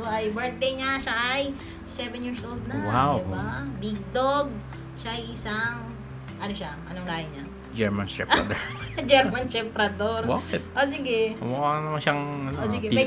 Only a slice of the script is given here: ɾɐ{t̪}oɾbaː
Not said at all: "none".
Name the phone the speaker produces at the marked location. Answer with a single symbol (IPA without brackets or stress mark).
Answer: d̪